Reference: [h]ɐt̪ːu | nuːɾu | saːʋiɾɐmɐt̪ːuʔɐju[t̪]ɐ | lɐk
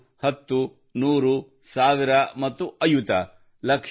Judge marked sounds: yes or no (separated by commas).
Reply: yes, yes